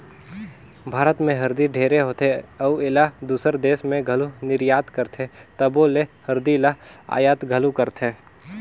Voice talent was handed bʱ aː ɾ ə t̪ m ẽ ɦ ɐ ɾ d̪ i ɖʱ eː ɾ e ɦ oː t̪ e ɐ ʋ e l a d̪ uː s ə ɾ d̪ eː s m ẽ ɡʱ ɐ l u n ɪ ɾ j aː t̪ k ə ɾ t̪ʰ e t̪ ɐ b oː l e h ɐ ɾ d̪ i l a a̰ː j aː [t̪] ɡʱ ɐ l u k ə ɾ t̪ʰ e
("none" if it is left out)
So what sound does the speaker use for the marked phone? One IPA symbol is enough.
t̪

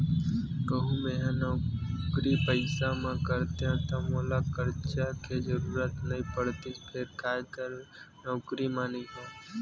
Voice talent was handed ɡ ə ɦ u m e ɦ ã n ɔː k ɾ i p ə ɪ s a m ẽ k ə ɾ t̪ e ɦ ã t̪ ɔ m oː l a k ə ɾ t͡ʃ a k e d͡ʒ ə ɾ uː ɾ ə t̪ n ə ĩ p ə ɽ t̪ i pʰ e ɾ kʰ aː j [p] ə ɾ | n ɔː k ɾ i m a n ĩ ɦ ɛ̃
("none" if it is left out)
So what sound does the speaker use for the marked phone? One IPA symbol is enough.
k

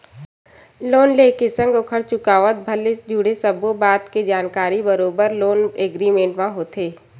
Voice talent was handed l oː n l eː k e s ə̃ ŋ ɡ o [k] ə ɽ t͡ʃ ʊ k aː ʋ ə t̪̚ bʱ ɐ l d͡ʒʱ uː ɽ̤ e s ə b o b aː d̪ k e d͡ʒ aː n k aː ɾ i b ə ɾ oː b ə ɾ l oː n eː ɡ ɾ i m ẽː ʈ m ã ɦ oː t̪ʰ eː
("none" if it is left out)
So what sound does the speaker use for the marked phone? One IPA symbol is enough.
kʰ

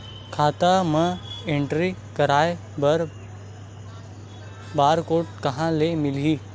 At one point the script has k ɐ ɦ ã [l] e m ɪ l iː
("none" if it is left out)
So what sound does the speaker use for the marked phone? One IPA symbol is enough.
l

